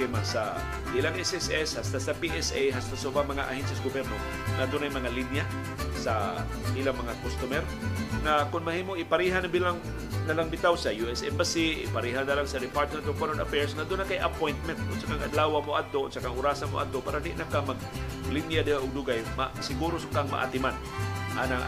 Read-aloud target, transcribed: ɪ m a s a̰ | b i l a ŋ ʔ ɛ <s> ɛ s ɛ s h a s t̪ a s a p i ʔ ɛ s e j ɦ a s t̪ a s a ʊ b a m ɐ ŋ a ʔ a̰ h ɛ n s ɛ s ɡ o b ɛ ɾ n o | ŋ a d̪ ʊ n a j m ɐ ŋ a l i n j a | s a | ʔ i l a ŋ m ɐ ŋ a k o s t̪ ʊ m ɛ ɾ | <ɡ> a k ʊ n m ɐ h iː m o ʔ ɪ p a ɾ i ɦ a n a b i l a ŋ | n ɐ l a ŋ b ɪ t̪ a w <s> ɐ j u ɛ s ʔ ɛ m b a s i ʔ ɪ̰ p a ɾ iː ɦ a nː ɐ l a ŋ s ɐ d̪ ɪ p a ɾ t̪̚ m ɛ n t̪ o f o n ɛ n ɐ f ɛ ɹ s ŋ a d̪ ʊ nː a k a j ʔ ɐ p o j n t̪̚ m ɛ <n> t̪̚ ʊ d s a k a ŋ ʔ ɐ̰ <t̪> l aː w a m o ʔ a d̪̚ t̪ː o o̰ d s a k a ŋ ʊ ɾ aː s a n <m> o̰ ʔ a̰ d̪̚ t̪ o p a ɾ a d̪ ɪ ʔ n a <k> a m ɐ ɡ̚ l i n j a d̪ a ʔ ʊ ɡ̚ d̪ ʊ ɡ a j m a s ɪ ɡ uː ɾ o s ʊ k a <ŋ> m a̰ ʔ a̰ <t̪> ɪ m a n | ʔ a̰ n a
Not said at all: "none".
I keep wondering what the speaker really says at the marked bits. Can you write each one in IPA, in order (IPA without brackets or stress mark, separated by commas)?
s, ŋ, s, n, d̪, m, k, ŋ, t̪